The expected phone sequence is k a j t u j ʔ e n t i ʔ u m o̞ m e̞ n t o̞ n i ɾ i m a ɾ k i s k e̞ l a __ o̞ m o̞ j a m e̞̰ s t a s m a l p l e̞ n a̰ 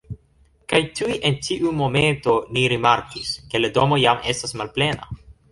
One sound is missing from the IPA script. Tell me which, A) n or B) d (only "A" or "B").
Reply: B